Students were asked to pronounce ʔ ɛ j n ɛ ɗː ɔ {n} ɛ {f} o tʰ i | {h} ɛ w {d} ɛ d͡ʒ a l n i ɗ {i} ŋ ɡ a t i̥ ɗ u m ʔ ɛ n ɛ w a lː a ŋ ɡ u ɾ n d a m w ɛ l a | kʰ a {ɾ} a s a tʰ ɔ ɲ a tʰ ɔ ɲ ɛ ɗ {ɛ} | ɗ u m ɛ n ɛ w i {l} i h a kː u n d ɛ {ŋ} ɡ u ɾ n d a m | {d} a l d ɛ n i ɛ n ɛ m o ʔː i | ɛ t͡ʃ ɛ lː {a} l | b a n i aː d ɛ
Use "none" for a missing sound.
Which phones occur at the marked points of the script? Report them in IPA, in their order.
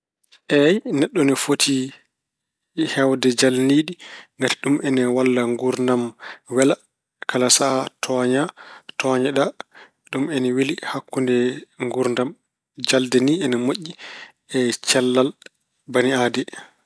n, f, h, d, i, l, a, l, ŋ, d͡ʒ, a

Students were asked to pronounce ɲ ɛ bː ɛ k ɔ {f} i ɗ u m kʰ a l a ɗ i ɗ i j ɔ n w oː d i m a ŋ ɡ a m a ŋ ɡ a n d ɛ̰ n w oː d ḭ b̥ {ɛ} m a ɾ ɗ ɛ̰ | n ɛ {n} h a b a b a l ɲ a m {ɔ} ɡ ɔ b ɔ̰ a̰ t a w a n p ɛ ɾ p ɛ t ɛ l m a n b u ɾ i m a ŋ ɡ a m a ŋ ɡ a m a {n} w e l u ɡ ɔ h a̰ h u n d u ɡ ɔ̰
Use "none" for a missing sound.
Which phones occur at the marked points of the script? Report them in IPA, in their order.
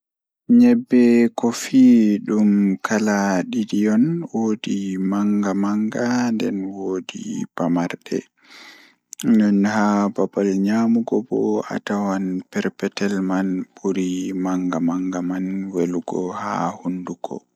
f, a, n, u, n

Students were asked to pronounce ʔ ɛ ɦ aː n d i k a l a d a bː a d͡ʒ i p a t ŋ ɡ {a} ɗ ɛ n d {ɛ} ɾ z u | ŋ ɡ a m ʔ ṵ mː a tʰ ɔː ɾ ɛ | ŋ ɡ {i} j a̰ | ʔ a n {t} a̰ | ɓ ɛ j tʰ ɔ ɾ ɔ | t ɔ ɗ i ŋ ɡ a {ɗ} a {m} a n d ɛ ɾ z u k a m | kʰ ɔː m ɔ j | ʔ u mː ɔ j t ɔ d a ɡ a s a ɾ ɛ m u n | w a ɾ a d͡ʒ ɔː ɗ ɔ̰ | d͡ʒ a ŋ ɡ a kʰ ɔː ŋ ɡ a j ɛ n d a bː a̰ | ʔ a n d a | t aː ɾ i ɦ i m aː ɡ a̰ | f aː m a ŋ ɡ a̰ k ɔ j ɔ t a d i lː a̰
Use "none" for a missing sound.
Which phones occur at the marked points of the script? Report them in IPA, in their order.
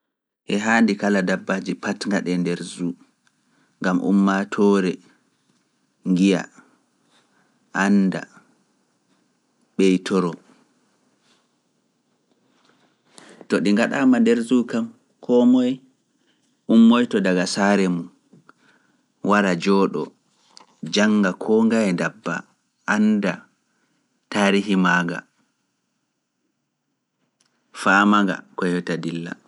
a, ɛ, i, d, ɗ, m

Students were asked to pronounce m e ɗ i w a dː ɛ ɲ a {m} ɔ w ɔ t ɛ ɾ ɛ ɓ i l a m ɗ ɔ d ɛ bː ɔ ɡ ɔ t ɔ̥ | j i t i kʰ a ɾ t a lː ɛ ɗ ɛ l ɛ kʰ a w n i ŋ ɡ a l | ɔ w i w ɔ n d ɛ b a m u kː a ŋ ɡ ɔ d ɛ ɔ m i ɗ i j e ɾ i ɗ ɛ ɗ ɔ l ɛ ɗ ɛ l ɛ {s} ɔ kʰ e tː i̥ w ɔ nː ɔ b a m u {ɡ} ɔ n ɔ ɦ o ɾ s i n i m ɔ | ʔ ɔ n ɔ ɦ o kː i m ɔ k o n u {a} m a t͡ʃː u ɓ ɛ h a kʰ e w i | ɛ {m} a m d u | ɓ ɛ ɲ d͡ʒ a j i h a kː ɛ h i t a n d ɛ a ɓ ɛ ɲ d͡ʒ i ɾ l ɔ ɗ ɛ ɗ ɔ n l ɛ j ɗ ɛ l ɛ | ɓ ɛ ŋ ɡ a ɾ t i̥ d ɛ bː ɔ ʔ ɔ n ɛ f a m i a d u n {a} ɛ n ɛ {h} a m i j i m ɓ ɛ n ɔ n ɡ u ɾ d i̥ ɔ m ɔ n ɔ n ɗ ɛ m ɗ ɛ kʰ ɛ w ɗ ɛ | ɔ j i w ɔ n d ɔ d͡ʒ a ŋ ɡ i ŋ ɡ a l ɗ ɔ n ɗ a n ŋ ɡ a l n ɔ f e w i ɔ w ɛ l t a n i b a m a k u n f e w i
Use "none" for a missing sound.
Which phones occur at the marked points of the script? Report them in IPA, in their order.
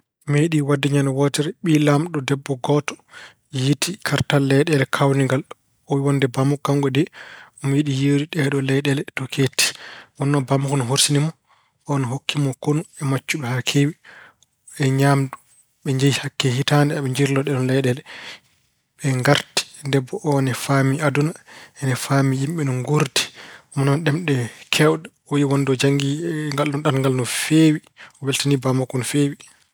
n, t, k, ɛ, ɲ, a, f

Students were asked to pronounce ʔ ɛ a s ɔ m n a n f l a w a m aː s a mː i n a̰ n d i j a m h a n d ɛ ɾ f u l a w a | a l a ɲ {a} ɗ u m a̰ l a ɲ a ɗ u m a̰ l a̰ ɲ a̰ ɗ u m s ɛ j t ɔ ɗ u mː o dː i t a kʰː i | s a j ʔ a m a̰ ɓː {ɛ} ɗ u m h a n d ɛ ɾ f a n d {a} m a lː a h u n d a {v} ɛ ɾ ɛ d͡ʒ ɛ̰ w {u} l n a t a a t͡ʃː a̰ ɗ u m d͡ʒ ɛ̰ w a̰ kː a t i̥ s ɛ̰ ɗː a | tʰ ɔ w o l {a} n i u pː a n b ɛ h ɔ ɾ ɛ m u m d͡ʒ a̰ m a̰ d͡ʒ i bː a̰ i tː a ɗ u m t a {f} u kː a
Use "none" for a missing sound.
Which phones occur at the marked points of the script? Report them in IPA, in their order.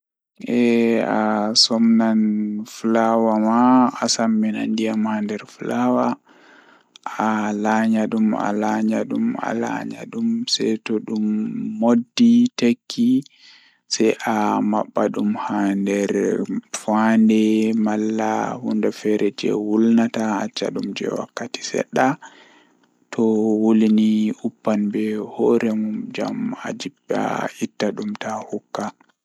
a, a, ɛ, f, u, i, h

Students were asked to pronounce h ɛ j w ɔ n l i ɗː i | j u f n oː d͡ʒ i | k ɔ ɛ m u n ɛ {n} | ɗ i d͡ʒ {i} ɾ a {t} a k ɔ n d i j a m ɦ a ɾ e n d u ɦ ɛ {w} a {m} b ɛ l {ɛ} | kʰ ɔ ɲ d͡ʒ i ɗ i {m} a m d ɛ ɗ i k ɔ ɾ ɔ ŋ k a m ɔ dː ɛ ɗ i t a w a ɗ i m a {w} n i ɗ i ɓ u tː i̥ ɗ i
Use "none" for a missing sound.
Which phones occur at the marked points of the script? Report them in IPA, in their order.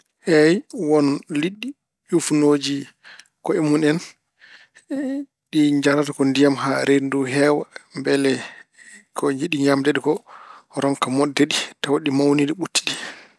n, a, t, w, m, ɛ, ɲ, w

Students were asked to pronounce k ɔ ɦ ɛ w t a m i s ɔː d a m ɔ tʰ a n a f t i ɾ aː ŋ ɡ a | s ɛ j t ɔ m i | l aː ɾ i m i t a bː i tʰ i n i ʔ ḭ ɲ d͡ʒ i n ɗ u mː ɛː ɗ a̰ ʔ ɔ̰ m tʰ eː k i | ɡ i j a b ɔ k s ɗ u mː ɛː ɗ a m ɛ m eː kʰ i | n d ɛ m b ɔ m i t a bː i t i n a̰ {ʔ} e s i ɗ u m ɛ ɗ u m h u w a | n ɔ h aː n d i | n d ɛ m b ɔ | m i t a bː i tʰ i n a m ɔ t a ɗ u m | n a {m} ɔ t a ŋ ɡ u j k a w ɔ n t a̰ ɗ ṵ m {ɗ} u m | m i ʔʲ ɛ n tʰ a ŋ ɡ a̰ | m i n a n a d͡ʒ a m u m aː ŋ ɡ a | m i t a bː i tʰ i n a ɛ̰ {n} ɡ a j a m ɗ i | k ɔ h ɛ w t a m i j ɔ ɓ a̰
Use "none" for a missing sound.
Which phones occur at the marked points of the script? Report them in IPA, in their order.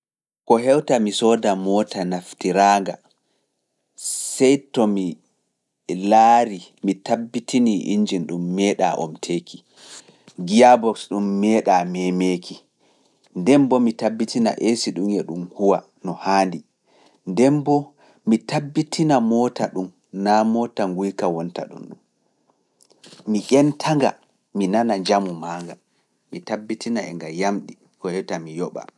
ʔ, m, ɗ, ŋ

